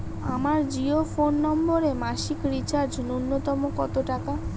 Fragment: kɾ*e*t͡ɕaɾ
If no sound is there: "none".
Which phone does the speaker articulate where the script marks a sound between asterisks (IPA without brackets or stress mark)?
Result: i